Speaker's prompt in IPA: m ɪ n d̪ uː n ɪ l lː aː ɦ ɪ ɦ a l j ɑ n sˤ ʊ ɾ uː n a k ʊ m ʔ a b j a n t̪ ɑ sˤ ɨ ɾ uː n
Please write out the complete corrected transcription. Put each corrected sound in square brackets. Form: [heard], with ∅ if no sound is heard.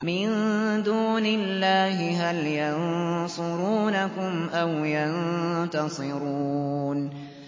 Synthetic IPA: m ɪ n d̪ uː n ɪ l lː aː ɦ ɪ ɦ a l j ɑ n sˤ ʊ ɾ uː n a k ʊ m ʔ a [w] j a n t̪ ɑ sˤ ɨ ɾ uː n